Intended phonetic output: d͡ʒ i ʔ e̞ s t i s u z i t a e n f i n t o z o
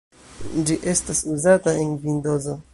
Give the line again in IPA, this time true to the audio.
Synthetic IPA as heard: d͡ʒ i ʔ e̞ s t a s u z a t a e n v i n d o z o

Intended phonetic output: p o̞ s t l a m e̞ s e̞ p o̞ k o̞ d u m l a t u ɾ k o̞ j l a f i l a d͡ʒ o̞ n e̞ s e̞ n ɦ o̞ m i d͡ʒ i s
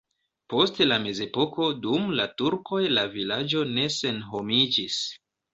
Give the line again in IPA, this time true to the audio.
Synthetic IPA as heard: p o̞ s t l a m e̞ z e̞ p o̞ k o̞ d u m l a t u ɾ k o̞ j l a v i l a d͡ʒ o̞ n e̞ s e̞ n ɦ o̞ m i d͡ʒ i s

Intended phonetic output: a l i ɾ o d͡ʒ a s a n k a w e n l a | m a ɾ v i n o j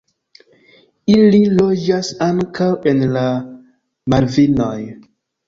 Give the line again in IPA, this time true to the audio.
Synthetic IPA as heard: i l i l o d͡ʒ a s a ŋ k a w e n l a | m a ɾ v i n o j

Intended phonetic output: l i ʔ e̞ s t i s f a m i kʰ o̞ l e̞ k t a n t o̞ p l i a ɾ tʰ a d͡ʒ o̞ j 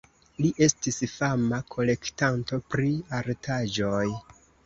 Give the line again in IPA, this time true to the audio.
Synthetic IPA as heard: l i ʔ e̞ s t i s f a m a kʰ o̞ l e̞ k t a n t o̞ p ɾ i a ɾ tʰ a d͡ʒ o̞ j

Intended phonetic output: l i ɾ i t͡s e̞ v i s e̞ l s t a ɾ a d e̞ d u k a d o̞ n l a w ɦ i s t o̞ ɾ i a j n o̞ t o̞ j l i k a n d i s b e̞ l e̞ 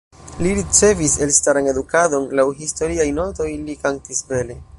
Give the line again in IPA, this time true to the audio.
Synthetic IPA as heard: l i ɾ i t͡s e̞ v i s e̞ l s t a ɾ a n e̞ d u k a d o̞ n l a w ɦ i s t o̞ ɾ i a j n o̞ t o̞ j l i k a n t i s b e̞ l e̞

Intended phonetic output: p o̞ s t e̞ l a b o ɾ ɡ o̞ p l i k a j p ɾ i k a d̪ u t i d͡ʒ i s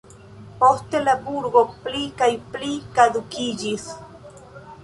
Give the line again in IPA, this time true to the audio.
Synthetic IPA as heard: p o̞ s t e̞ l a b u ɾ ɡ o̞ p l i k a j p l i k a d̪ u k i d͡ʒ i s

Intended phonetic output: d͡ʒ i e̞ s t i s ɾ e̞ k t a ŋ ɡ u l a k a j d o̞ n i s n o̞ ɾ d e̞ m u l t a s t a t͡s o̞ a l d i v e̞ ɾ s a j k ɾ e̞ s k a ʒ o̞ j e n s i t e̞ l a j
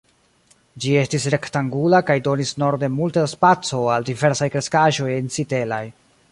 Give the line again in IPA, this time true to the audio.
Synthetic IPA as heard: d͡ʒ i e̞ s t i s ɾ e̞ k t a ŋ ɡ u l a k a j d o̞ n i s n o̞ ɾ d e̞ m u l t a s p a t͡s o̞ a l d i v e̞ ɾ s a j k ɾ e̞ s k a ʒ o̞ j e n s i t e̞ l a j

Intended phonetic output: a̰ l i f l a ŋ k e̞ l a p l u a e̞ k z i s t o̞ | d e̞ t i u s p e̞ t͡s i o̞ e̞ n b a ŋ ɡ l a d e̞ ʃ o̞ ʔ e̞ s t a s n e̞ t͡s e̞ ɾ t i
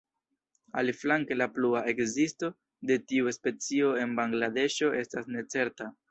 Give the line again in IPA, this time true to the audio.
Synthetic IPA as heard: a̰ l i f l a ŋ k e̞ l a p l u a e̞ k z i s t o̞ | d e̞ t i u s p e̞ t͡s i o̞ e̞ n b a ŋ ɡ l a d e̞ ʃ o̞ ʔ e̞ s t a s n e̞ t͡s e̞ ɾ t a

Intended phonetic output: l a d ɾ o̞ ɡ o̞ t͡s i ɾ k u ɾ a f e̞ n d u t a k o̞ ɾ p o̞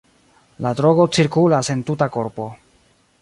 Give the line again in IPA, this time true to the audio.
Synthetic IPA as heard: l a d ɾ o̞ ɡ o̞ t͡s i ɾ k u l a s e̞ n t u t a k o̞ ɾ p o̞

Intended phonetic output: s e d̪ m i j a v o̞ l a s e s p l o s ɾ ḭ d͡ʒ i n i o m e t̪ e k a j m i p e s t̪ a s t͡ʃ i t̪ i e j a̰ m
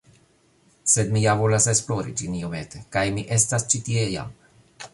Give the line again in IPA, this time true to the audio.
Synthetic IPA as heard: s e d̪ m i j a v o̞ l a s e s p l o ɾ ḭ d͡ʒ i n i o m e t̪ e k a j m i ʔ e s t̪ a s t͡ʃ i t̪ i e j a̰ m

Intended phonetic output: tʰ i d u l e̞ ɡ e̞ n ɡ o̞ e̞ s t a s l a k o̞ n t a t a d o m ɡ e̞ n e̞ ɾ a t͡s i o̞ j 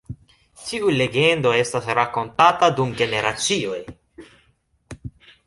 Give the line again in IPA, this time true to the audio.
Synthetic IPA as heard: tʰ i u l e̞ ɡ e̞ n d o̞ e̞ s t a s ɾ a k o̞ n t a t a d u m ɡ e̞ n e̞ ɾ a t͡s i o̞ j

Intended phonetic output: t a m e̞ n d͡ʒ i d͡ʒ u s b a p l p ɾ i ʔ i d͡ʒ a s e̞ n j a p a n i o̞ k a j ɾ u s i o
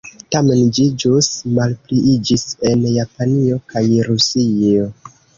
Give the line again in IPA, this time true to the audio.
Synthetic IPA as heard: t a m e̞ n d͡ʒ i d͡ʒ u s m a l p l i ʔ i d͡ʒ i s e̞ n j a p a n i o̞ k a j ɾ u s i o

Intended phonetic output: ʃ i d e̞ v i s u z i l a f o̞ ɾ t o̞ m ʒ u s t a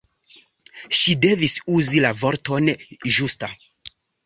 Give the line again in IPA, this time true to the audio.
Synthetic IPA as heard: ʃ i d e̞ v i s u z i l a v o̞ ɾ t o̞ n ʒ u s t a

